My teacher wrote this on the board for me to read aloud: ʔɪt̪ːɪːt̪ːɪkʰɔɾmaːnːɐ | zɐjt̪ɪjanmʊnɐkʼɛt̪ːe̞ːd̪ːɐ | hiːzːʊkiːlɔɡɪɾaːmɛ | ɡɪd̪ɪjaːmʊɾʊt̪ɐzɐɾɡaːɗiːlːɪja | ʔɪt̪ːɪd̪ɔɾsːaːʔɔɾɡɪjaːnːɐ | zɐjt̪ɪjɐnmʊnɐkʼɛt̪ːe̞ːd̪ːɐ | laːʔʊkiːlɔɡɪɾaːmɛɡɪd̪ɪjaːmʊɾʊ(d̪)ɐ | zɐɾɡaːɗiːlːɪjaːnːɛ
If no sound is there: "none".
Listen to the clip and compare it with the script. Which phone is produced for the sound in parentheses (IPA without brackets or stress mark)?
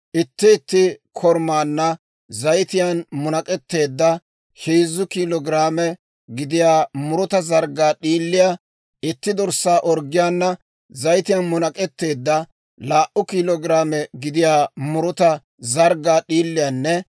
t̪